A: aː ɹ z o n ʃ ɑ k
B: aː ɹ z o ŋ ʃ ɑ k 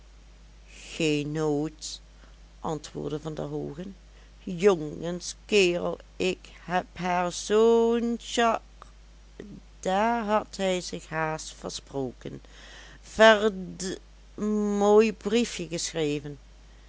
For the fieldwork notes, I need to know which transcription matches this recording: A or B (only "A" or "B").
A